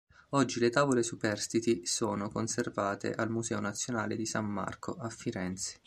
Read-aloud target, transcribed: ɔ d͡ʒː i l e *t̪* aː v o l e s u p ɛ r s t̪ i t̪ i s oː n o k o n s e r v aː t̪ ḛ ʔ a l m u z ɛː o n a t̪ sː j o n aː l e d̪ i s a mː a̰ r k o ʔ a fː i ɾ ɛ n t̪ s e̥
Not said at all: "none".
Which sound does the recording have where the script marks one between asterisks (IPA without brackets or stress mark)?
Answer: t̪